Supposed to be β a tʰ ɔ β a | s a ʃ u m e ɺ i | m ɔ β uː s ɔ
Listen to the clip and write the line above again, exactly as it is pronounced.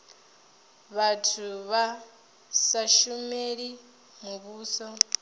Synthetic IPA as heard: β a tʰ u β a | s a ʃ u m e ɺ i | m u β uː s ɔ